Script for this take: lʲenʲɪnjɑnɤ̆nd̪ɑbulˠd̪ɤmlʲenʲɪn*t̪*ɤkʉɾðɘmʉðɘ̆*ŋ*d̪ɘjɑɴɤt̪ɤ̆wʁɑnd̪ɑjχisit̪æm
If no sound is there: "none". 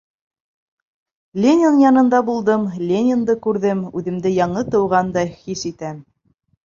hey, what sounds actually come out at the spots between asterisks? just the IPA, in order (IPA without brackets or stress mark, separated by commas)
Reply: d̪, m